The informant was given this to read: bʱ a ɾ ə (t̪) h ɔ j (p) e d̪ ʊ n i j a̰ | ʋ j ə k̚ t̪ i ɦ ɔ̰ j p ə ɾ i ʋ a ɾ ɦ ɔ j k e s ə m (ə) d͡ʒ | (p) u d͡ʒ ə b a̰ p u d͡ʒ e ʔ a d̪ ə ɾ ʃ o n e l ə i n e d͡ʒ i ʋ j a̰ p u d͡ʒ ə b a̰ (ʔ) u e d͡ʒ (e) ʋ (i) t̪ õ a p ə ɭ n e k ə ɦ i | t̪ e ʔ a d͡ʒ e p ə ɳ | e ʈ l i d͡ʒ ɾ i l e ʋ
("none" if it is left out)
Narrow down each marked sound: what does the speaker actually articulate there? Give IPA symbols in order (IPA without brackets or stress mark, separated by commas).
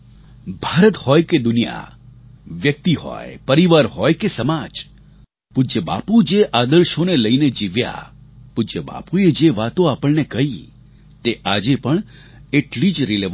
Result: t̪, k, a, p, p, e, a